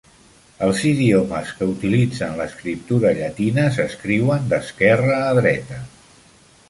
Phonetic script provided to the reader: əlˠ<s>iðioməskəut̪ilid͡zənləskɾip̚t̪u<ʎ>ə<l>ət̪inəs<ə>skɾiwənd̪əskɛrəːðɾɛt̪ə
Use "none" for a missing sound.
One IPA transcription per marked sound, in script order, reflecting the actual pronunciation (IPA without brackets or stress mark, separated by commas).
z, ɾ, ʎ, ə